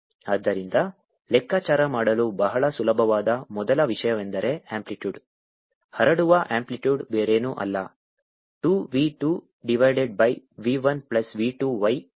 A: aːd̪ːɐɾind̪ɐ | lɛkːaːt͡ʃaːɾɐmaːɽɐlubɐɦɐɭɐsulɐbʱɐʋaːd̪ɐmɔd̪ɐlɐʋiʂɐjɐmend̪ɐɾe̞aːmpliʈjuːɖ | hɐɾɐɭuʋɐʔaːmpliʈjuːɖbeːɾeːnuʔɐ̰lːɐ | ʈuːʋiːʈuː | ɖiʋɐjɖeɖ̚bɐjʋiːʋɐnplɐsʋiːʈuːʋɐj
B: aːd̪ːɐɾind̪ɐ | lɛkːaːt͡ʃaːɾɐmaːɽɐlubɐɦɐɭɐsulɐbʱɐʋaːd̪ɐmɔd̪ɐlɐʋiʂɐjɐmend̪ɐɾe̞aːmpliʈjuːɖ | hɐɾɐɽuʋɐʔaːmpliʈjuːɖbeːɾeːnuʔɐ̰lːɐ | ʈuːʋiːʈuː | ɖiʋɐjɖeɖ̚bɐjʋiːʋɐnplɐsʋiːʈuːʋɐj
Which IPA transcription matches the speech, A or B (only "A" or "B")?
B